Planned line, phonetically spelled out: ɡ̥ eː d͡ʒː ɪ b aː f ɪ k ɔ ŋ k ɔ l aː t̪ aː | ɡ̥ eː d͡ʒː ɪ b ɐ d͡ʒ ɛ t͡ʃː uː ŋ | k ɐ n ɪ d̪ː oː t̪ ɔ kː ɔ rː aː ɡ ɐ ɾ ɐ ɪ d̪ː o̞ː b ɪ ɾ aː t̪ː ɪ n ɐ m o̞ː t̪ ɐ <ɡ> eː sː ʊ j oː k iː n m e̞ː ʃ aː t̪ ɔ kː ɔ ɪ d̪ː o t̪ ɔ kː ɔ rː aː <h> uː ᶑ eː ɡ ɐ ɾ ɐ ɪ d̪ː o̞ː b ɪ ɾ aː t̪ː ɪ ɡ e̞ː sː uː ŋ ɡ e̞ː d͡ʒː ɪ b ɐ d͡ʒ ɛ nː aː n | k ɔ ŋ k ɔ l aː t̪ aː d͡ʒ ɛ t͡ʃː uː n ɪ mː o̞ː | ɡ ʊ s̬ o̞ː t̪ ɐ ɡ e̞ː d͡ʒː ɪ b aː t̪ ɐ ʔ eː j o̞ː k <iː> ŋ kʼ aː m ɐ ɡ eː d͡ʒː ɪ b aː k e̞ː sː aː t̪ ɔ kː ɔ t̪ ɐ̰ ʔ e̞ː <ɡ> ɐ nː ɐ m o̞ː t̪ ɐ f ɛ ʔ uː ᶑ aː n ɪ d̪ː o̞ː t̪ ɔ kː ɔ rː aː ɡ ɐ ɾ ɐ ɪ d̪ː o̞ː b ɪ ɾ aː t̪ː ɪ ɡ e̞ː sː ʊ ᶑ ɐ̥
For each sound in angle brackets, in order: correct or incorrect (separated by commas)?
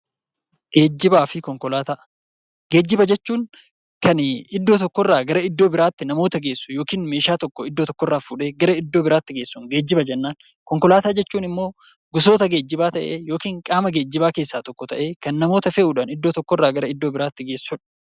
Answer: correct, incorrect, correct, incorrect